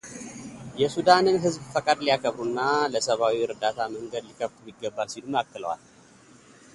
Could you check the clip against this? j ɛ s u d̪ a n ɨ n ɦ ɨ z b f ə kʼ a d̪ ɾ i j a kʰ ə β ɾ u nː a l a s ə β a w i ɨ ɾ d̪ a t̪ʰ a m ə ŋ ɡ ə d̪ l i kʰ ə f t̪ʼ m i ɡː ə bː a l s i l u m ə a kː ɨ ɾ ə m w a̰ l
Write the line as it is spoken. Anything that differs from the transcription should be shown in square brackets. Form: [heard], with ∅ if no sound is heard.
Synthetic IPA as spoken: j ɛ s u d̪ a n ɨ n ɦ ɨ z b f ə kʼ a d̪ [l] i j a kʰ ə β ɾ u nː a l [ə] s ə β a w i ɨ ɾ d̪ a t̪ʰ a m ə ŋ ɡ ə d̪ l i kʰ ə f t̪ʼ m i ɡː ə bː a l s i l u m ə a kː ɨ [l] ə [∅] w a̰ l